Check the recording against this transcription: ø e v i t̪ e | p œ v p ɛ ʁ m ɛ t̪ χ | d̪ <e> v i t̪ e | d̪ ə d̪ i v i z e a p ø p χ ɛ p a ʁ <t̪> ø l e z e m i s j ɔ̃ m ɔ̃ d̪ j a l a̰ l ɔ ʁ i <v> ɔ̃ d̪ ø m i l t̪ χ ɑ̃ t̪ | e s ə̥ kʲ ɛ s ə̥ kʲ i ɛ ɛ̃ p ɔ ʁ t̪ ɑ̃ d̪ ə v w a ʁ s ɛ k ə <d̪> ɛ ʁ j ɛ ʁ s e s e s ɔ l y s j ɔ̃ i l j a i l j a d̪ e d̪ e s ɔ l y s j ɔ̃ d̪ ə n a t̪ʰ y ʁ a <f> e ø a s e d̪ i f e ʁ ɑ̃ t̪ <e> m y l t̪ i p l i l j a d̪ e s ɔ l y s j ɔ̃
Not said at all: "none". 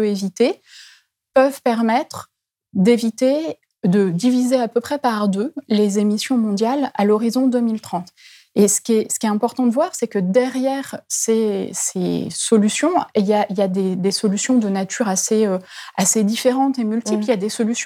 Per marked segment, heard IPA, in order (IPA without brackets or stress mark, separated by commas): e, d̪, z, d̪, s, e